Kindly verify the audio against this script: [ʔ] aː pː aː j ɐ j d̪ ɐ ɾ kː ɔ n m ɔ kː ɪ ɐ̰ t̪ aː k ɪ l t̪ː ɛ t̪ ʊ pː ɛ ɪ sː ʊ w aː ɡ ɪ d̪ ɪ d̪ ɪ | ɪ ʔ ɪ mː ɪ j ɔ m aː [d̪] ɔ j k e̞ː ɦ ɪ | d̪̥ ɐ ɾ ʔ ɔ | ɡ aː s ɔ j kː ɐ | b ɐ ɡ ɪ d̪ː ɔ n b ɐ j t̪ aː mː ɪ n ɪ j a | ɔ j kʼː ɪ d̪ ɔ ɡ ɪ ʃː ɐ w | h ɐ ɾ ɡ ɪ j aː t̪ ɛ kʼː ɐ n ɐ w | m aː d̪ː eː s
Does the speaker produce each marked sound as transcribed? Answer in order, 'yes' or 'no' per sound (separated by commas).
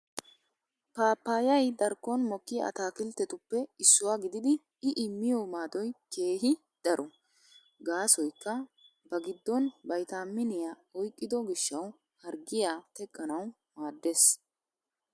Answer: no, yes